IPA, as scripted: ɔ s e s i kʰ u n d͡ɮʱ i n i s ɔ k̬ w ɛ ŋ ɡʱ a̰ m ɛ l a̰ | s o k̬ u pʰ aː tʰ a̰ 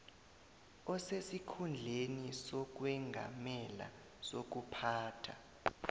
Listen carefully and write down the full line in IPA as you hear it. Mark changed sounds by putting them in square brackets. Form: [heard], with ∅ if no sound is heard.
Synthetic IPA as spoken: ɔ s e s i kʰ u n d͡ɮʱ [e] n i s ɔ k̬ w ɛ ŋ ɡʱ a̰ m ɛ l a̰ | s o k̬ u pʰ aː tʰ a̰